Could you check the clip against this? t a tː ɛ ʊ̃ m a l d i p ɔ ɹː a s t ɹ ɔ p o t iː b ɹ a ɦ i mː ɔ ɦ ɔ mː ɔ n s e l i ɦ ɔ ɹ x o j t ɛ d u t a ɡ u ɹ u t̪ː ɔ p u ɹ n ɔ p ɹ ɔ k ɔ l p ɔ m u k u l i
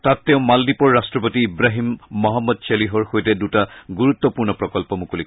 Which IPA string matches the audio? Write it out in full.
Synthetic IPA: t a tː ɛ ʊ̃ m a l d i p ɔ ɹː a s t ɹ ɔ p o t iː b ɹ a ɦ i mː ɔ ɦ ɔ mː ɔ d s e l i ɦ ɔ ɹ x o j t ɛ d u t a ɡ u ɹ u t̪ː ɔ p u ɹ n ɔ p ɹ ɔ k ɔ l p ɔ m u k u l i